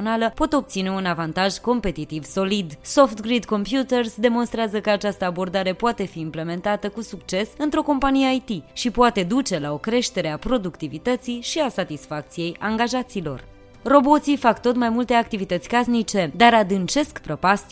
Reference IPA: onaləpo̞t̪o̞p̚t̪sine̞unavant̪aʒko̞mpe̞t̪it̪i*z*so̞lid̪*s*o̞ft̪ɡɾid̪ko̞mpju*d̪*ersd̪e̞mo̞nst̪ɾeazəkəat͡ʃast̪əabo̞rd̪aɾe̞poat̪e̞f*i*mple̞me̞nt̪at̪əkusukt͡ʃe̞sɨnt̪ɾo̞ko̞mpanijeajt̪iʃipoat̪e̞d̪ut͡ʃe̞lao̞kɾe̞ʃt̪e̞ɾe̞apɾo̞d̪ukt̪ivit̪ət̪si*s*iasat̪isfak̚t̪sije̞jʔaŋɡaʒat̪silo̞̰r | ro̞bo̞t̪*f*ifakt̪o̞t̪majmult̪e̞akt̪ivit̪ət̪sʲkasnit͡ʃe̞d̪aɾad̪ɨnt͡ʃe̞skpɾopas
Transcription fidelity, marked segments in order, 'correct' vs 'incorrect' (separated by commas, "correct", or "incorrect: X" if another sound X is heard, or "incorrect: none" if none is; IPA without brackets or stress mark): incorrect: v, correct, incorrect: t̪, incorrect: iː, incorrect: ʃ, incorrect: s